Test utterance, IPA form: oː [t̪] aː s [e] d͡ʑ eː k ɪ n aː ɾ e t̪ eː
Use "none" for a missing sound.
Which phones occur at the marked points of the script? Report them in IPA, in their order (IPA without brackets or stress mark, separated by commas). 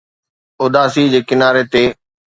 d̪, i